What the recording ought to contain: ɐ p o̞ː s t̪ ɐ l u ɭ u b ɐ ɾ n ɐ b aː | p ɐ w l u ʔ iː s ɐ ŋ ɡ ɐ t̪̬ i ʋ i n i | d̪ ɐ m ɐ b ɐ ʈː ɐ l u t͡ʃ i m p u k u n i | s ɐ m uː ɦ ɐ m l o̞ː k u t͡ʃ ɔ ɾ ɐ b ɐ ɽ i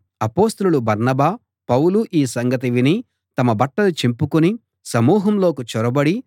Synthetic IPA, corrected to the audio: ɐ p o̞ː s t̪ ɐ l u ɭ u b ɐ ɾ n ɐ b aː | p ɐ w l u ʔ iː s ɐ ŋ ɡ ɐ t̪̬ i ʋ i n i | t̪ ɐ m ɐ b ɐ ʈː ɐ l u t͡ʃ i m p u k u n i | s ɐ m uː ɦ ɐ m l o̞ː k u t͡ʃ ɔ ɾ ɐ b ɐ ɽ i